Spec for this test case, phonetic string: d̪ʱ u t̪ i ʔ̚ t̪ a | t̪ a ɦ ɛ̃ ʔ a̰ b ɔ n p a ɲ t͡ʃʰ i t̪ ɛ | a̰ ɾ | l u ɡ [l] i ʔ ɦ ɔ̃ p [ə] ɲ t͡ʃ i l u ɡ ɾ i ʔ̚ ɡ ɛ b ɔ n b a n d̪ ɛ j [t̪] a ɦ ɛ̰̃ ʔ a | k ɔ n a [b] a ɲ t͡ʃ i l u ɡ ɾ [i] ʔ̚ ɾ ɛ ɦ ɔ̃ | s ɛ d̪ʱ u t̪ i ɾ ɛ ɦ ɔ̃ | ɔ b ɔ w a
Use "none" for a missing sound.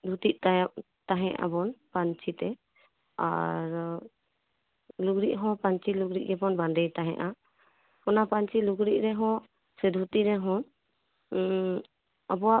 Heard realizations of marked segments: ɾ, a, t̪, p, i

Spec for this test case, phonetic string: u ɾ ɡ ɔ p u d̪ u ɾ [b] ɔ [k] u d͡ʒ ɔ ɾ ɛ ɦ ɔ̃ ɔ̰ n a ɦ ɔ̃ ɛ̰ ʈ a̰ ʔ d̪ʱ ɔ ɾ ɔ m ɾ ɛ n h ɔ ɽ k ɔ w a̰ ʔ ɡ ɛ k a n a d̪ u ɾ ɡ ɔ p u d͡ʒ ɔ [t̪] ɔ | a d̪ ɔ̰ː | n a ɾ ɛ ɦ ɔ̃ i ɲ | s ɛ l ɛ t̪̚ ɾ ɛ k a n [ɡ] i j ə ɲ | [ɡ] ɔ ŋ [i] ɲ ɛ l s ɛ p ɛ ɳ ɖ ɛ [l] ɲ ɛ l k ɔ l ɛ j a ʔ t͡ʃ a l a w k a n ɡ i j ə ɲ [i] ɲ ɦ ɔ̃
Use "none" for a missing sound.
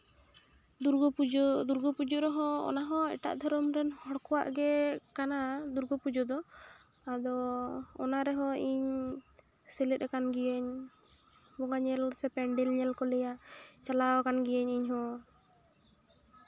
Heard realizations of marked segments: ɡ, p, d̪, ɡ, b, a, l, i

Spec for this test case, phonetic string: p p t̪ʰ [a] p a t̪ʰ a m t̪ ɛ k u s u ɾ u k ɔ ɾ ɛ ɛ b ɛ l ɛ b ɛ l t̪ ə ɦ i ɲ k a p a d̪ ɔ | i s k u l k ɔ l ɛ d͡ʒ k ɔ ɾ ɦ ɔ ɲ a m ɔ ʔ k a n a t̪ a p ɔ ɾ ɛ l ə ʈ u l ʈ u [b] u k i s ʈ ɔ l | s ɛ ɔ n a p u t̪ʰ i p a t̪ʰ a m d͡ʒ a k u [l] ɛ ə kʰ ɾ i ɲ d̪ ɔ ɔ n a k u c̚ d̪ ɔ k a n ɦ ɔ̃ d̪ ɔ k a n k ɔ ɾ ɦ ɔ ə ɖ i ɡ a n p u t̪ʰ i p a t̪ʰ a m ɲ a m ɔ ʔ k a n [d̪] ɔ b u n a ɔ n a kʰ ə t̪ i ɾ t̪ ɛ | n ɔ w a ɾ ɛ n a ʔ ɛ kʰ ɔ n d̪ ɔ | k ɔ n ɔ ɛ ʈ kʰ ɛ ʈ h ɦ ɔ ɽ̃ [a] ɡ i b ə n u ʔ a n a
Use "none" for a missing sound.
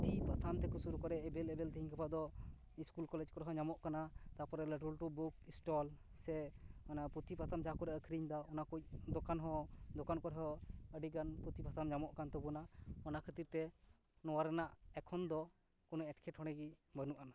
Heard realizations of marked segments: i, b, ɾ, t̪, ɛ

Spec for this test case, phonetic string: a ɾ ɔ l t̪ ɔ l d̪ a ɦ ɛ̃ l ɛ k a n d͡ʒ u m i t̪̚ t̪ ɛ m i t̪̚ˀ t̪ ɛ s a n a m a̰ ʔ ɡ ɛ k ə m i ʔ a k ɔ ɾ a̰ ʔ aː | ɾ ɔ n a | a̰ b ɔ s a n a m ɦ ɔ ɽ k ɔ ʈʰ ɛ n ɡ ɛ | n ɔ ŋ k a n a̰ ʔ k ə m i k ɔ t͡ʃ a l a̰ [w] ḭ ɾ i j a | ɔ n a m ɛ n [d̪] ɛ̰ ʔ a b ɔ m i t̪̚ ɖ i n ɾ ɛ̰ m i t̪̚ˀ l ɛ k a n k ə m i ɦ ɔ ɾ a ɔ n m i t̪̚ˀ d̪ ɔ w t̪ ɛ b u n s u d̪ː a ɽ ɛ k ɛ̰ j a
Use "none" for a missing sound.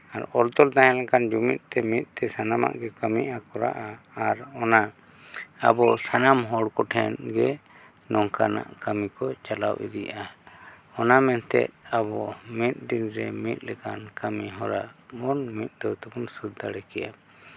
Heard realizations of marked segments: w, t̪

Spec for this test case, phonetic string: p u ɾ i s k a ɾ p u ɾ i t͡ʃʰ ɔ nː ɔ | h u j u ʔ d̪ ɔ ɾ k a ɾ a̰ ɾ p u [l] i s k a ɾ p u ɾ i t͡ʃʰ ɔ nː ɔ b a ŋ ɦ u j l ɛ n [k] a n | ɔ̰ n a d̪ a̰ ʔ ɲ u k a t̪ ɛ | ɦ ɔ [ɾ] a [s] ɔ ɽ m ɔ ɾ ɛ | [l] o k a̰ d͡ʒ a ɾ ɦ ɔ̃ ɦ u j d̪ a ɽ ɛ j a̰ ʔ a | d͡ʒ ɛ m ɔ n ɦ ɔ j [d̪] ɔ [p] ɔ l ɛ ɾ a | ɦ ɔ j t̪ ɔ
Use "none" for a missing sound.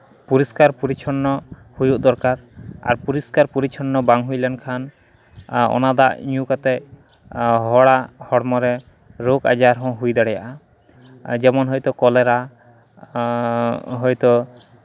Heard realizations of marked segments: ɾ, kʰ, ɽ, h, ɾ, t̪, k

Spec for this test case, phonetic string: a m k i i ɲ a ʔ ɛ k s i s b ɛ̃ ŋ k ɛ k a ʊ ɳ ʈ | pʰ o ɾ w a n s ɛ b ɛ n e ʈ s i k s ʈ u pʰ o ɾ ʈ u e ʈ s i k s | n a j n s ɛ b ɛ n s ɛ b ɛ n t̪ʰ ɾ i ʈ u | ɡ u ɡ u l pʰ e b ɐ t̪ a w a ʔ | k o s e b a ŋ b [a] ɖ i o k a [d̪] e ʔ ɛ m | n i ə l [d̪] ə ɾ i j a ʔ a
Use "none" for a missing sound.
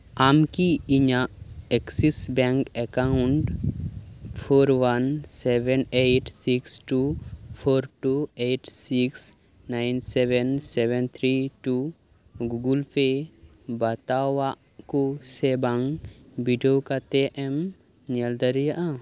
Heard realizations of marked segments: i, t̪, d̪

